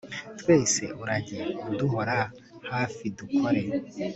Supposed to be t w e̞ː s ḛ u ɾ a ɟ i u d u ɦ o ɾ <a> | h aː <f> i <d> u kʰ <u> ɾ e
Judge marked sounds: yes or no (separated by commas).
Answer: yes, yes, yes, no